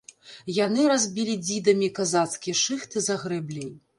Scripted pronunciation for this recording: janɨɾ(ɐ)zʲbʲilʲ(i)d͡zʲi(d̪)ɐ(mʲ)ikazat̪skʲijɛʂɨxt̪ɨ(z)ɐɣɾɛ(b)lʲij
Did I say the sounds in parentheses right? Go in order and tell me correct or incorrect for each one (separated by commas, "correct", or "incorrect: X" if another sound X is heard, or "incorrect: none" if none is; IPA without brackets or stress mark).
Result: incorrect: a, correct, correct, correct, correct, correct